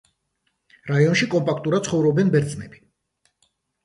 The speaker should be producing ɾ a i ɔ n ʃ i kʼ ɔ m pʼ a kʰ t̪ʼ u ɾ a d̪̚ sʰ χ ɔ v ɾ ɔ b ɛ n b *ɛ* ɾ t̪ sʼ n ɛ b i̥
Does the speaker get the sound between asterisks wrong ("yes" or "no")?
no